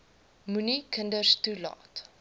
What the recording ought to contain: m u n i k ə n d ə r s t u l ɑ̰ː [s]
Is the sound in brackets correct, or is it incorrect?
incorrect